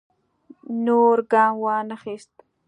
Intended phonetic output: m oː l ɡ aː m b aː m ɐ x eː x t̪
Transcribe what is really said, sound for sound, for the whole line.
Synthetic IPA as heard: n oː ɾ ɡ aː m w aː n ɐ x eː s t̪